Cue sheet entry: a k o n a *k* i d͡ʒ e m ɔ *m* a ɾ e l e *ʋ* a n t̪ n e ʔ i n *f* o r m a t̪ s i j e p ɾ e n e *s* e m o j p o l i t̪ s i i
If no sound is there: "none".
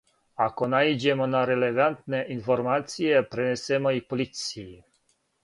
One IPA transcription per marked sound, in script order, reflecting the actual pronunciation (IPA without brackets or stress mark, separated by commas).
none, n, v, f, s